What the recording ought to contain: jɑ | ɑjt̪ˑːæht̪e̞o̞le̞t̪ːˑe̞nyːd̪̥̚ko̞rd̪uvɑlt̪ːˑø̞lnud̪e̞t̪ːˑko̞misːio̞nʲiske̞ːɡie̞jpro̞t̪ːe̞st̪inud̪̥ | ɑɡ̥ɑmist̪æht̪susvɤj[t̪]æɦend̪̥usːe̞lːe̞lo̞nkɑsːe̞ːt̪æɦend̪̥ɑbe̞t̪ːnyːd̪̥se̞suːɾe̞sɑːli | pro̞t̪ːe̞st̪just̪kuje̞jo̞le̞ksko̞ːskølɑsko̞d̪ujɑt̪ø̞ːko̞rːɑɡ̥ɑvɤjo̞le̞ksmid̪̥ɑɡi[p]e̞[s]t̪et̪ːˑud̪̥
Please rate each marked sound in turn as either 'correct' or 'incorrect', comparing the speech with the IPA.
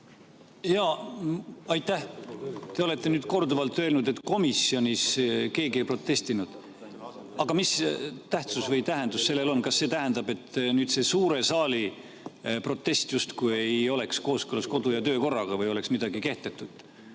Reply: correct, incorrect: k, incorrect: h

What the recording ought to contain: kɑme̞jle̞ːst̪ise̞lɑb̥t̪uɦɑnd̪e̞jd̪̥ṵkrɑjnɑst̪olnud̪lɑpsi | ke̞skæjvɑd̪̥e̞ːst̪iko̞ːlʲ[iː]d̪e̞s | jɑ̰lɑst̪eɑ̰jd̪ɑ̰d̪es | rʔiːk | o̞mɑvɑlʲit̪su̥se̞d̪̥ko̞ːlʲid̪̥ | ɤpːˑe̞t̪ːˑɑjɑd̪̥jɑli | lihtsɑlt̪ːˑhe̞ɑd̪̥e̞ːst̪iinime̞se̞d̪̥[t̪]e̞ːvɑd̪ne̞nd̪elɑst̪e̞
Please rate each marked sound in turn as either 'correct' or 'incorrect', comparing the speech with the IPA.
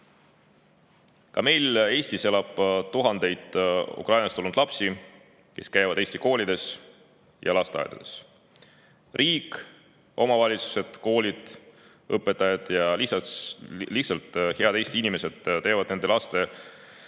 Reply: incorrect: i, correct

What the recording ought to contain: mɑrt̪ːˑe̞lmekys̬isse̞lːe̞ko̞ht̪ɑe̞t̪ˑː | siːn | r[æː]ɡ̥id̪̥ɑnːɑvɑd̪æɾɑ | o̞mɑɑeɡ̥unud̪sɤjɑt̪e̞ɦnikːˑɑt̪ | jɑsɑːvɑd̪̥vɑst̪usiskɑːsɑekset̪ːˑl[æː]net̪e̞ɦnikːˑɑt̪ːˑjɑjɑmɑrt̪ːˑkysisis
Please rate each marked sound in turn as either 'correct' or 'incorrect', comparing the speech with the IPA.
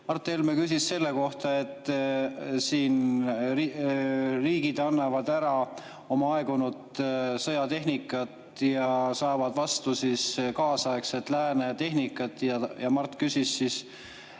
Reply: incorrect: iː, correct

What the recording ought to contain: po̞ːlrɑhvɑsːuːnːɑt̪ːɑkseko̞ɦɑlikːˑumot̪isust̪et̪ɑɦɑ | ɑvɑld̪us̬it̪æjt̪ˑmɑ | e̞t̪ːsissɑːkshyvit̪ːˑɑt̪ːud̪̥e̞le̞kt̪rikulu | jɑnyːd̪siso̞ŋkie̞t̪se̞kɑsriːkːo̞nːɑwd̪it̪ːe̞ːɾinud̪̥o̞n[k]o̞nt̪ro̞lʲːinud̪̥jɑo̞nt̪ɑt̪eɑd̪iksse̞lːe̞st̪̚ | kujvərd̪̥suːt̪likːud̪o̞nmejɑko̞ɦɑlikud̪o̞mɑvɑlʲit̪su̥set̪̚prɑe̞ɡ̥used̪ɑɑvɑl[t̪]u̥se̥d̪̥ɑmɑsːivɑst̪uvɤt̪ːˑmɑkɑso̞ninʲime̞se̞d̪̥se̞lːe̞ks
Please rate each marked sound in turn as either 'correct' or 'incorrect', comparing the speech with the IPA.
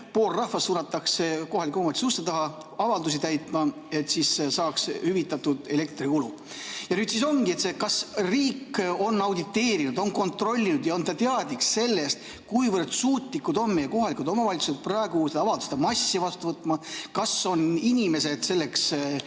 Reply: correct, incorrect: d̪

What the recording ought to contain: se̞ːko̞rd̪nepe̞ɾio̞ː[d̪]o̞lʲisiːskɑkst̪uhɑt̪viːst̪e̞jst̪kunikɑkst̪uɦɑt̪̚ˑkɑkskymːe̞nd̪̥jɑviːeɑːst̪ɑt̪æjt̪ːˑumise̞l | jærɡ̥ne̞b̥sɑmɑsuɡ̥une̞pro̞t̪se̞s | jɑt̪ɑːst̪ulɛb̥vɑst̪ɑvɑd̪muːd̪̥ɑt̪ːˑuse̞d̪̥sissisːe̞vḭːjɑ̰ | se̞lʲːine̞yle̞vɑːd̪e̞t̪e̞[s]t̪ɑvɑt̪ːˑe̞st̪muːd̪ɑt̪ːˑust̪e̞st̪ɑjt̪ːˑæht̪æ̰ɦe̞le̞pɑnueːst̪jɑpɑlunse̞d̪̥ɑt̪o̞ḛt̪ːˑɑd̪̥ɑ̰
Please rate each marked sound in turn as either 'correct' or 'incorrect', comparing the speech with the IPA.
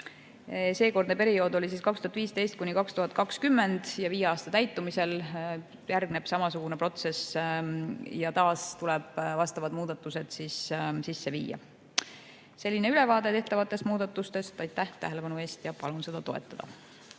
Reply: correct, incorrect: h

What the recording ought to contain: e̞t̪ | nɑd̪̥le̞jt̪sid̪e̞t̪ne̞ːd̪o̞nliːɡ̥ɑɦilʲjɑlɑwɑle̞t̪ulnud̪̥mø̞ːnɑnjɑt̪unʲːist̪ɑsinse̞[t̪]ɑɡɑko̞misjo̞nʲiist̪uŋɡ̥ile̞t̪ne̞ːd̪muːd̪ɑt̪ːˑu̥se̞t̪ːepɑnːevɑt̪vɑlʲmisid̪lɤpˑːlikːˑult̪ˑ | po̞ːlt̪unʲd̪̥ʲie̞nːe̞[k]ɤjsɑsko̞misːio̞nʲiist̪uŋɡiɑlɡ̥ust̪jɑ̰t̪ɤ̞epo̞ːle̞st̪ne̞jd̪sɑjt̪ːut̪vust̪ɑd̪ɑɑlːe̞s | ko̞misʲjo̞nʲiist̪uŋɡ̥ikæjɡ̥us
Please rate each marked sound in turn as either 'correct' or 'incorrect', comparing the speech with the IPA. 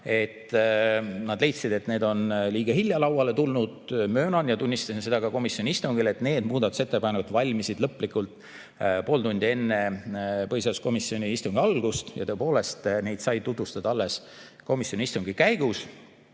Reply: incorrect: d̪, incorrect: p

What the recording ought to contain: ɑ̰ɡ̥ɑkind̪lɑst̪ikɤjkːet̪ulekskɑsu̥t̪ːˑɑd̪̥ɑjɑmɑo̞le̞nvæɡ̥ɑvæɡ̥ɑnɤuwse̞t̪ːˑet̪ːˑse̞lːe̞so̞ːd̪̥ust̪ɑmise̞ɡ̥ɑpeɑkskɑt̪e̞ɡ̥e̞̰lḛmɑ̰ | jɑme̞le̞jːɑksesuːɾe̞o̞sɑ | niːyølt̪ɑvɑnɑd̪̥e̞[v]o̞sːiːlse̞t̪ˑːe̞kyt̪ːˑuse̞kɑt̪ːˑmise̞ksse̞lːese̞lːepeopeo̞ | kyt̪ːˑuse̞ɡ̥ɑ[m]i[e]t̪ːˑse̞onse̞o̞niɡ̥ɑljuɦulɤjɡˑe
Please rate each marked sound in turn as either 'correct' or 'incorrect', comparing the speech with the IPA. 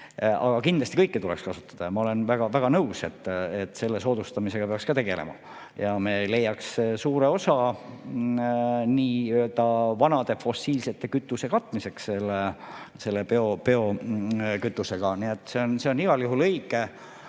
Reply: incorrect: f, incorrect: n, correct

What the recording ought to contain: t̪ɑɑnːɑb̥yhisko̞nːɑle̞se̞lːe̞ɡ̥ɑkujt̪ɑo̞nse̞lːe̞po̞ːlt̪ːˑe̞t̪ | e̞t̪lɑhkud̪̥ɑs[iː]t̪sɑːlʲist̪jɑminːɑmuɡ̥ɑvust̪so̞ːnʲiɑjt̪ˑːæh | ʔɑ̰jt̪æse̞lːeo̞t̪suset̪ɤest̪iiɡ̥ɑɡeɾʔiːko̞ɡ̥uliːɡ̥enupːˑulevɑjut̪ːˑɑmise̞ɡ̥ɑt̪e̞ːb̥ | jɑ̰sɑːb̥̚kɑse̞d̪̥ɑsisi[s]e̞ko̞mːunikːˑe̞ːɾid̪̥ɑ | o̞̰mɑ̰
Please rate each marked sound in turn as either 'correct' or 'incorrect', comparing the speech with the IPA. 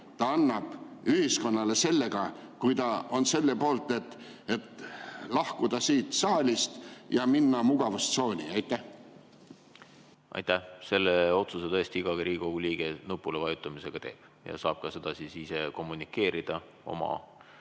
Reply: correct, correct

